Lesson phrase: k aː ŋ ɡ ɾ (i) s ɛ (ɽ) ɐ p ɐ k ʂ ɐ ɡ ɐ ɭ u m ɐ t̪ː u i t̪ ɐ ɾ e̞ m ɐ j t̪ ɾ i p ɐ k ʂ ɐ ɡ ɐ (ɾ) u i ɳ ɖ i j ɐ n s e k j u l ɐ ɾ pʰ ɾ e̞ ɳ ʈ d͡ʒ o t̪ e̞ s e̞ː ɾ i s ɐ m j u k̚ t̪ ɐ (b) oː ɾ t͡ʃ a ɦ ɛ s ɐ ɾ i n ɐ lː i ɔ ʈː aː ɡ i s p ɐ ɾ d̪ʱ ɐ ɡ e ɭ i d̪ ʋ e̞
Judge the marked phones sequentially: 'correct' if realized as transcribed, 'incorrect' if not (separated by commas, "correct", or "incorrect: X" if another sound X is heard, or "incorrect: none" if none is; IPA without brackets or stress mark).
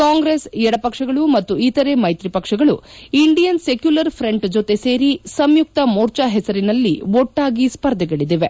incorrect: e, correct, incorrect: ɭ, incorrect: m